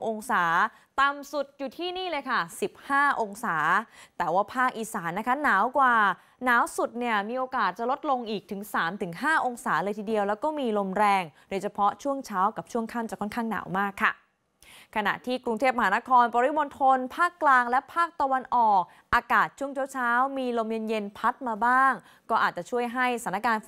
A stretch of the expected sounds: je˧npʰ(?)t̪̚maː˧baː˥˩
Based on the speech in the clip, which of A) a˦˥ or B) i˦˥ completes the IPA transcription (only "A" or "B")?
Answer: A